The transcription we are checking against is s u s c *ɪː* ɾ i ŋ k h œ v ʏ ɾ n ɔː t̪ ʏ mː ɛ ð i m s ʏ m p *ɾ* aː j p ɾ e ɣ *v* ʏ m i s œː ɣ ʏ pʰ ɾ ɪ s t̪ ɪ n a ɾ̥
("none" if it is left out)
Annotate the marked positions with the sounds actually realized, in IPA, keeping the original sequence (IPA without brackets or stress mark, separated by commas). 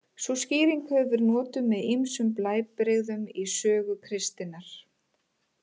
iː, l, ð